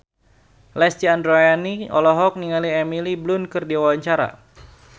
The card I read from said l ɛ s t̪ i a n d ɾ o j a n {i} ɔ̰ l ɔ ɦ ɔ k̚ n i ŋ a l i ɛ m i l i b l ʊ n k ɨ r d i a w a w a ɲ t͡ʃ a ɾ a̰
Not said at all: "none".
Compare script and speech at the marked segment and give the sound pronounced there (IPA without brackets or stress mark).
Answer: i